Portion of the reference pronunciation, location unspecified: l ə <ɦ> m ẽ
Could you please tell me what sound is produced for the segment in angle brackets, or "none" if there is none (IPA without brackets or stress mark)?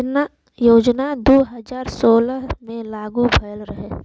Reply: ɦ